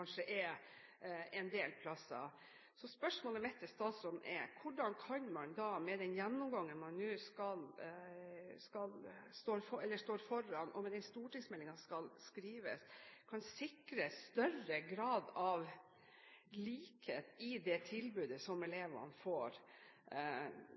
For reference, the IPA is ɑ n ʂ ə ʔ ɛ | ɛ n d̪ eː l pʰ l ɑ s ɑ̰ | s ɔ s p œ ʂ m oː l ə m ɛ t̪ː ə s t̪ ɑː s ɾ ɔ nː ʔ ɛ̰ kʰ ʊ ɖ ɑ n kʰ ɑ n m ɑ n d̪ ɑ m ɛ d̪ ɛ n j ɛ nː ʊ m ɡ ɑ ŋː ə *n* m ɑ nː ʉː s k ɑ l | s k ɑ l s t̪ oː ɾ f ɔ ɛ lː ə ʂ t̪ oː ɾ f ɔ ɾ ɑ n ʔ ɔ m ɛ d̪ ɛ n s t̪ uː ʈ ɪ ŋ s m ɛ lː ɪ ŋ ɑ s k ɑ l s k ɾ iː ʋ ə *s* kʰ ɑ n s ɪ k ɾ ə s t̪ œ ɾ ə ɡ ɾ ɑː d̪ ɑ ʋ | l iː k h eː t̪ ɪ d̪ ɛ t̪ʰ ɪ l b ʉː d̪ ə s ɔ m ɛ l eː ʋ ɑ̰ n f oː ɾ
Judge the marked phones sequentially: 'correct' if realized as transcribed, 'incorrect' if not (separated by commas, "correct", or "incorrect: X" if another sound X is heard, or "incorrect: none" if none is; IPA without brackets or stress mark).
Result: correct, correct